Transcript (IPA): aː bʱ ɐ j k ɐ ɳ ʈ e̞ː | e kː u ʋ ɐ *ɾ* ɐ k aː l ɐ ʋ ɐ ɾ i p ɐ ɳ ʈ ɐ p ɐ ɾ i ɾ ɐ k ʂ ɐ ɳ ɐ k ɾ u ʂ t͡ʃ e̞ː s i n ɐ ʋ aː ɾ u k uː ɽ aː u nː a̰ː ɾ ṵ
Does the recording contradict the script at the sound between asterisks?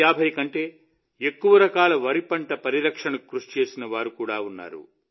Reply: no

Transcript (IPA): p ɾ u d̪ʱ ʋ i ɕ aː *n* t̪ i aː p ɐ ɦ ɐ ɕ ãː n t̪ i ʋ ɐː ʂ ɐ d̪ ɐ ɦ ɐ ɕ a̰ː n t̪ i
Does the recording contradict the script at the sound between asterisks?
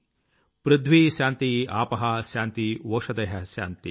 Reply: no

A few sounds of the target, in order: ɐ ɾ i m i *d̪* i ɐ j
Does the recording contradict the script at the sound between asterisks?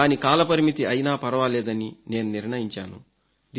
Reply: yes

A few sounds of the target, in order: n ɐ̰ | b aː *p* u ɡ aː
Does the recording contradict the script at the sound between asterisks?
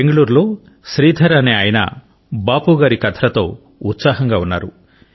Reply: no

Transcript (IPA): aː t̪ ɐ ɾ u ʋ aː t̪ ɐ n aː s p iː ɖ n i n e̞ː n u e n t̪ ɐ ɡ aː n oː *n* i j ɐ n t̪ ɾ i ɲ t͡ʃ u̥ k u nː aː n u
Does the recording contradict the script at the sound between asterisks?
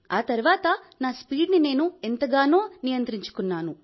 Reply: no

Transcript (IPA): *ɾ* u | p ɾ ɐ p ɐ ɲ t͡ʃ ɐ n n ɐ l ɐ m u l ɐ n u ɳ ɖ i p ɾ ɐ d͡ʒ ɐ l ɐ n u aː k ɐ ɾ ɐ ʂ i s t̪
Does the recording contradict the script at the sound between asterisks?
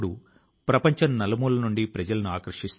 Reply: yes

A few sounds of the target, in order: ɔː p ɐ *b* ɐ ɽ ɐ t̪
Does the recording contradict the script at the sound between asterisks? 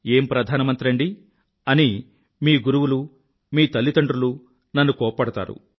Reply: yes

